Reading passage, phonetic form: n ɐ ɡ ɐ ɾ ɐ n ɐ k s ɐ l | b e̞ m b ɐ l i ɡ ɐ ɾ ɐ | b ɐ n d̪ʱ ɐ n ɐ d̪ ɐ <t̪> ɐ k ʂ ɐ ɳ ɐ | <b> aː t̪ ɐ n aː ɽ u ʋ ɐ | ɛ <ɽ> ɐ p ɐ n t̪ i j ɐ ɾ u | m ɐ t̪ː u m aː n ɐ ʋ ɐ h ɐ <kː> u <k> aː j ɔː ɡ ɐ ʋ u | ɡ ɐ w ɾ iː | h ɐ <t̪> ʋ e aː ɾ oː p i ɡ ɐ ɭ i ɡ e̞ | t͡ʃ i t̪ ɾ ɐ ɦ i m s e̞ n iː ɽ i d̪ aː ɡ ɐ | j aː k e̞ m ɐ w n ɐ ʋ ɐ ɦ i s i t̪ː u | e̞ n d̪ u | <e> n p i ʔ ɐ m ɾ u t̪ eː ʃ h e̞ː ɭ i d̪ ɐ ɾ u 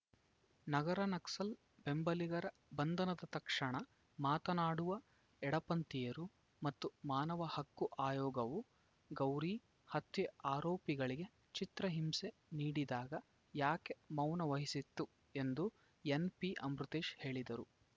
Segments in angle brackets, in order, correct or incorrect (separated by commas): correct, incorrect, correct, correct, incorrect, correct, correct